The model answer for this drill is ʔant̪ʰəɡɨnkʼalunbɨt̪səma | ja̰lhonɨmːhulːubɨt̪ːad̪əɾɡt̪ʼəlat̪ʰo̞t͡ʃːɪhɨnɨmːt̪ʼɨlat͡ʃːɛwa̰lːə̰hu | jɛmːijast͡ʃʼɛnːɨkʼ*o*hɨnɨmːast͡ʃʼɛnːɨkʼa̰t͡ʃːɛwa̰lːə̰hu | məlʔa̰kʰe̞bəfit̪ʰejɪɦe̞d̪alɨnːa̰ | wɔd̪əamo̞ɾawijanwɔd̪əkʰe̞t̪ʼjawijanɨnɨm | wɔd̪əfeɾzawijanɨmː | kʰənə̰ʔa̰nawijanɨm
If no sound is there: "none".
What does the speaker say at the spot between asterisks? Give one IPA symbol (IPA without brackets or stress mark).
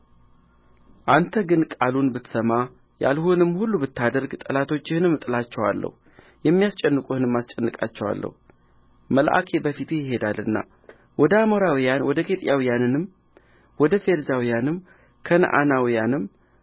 u